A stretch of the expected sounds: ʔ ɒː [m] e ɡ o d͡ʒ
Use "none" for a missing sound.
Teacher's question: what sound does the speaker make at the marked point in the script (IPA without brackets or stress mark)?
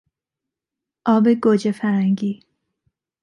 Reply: b